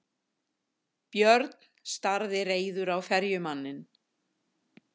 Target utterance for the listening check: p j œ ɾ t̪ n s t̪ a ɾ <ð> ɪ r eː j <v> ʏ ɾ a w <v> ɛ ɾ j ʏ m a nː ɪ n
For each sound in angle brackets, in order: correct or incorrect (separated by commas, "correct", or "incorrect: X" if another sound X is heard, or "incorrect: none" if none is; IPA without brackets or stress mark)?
correct, incorrect: ð, incorrect: f